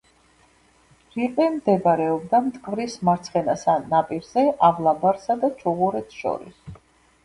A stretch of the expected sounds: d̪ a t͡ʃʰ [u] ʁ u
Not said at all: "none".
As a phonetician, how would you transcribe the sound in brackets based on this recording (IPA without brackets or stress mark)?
u